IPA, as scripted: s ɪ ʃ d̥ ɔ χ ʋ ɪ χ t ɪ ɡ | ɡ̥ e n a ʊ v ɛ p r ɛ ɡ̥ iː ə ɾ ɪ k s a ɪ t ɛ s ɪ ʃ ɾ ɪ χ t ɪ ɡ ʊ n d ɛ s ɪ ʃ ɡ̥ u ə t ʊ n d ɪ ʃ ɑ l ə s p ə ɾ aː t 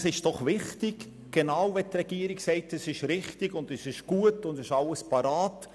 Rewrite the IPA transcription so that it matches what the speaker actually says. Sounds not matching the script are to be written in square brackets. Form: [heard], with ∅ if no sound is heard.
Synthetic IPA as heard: s ɪ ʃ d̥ ɔ χ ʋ ɪ χ t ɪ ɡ | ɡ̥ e n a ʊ v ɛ [t] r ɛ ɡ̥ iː ə ɾ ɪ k s [ɛ] ɪ t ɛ s ɪ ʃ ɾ ɪ χ t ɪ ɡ ʊ n d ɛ s ɪ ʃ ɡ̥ u ə t ʊ n d ɪ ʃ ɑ l ə s p [ɑ] ɾ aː t